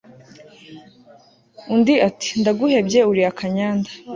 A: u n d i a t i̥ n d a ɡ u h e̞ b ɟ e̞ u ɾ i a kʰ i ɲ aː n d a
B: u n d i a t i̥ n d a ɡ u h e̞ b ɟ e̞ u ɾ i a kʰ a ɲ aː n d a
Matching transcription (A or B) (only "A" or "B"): B